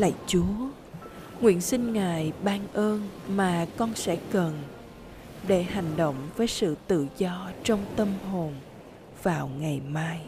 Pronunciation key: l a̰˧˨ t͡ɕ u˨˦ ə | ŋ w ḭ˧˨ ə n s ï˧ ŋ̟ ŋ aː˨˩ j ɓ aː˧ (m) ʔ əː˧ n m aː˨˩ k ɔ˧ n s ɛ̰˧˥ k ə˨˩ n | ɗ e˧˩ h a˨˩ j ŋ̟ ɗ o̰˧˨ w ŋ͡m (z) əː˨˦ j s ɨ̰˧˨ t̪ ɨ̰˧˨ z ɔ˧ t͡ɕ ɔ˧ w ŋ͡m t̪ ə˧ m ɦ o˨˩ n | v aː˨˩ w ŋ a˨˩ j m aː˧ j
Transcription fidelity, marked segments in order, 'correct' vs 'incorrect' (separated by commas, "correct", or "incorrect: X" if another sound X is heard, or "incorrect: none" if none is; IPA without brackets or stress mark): incorrect: n, incorrect: v